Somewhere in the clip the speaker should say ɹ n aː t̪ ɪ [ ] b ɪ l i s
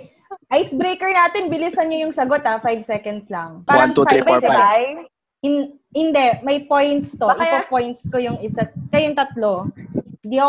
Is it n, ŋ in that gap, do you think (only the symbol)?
n